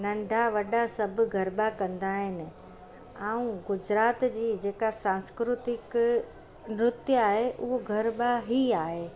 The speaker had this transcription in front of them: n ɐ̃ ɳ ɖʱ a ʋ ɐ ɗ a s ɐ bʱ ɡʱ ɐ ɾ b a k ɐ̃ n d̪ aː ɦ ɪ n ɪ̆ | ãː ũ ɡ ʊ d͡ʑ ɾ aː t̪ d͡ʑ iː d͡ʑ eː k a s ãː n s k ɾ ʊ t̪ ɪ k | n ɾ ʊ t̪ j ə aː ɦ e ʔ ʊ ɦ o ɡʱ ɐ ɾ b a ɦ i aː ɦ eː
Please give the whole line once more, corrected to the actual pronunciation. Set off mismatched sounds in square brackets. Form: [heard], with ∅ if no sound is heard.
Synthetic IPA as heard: n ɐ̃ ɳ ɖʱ a ʋ ɐ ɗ a s ɐ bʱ ɡʱ ɐ ɾ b a k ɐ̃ n d̪ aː ɦ ɪ n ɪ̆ | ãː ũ ɡ ʊ d͡ʑ ɾ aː t̪ d͡ʑ iː d͡ʑ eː k a s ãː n s k ɾ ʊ t̪ ɪ k | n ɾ ʊ t̪ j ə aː ɦ e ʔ ʊ ɦ o ɡʱ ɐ ɾ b a ɦ i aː ɦ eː